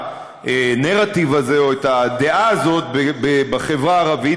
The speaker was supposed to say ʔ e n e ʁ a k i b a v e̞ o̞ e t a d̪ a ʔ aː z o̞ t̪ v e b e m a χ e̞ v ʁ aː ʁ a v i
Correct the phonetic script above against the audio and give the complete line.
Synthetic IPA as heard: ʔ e n e ʁ a t i v a z e̞ o̞ e t a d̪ e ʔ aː z o̞ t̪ b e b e b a χ e̞ v ʁ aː ʁ a v i